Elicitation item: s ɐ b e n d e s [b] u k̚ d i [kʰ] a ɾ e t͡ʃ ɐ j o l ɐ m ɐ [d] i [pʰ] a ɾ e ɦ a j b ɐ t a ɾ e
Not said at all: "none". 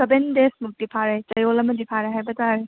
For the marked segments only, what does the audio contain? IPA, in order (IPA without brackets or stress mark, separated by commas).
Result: m, pʰ, d, pʰ